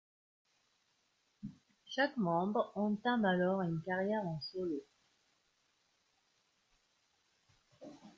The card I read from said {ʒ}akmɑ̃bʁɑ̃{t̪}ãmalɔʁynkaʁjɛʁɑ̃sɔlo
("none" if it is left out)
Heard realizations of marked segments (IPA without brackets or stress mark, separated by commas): ʃ, t̪